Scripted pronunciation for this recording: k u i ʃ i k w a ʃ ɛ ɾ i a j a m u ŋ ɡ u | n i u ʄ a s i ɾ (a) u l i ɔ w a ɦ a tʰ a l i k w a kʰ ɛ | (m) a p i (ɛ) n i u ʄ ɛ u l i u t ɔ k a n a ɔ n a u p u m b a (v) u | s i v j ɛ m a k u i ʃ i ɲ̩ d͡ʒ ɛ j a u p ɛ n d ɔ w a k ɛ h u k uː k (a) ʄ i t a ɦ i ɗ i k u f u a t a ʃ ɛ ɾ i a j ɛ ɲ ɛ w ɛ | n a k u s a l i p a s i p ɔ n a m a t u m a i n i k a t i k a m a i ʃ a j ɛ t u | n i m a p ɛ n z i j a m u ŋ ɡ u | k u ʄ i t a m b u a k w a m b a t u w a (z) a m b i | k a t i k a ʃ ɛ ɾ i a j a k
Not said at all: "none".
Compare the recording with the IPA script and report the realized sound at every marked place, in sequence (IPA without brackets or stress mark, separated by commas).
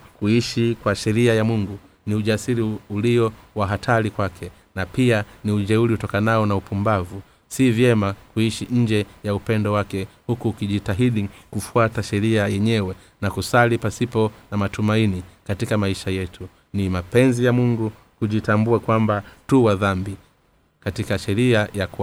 i, n, a, v, i, ð